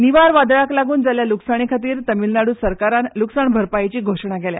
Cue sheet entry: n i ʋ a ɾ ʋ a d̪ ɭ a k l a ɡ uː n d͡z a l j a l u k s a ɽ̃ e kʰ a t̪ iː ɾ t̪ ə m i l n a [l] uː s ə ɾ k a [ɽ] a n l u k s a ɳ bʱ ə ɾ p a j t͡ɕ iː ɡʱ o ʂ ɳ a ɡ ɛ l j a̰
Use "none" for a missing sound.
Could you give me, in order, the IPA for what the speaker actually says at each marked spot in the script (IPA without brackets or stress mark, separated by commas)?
ɽ, ɾ